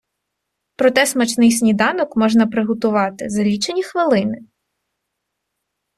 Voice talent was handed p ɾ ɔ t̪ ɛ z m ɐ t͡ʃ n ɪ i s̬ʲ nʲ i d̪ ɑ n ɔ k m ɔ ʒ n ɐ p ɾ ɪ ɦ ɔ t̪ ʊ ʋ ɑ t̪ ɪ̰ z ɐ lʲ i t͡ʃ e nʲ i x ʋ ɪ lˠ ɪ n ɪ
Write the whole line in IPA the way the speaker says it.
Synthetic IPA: p ɾ ɔ t̪ ɛ s m ɐ t͡ʃ n ɪ j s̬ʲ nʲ i d̪ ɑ n ɔ k m ɔ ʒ n ɐ p ɾ ɪ ɦ ɔ t̪ ʊ ʋ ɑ t̪ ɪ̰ z ɐ lʲ i t͡ʃ e nʲ i x ʋ ɪ lˠ ɪ n ɪ